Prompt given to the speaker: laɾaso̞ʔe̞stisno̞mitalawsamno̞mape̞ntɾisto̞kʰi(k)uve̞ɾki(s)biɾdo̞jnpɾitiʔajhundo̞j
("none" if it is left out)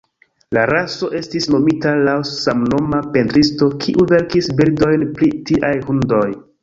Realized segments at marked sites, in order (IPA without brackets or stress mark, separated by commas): ʔ, s